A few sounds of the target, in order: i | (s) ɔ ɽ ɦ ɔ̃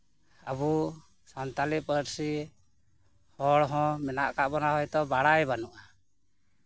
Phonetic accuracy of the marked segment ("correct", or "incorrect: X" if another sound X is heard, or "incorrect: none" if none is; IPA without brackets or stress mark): incorrect: h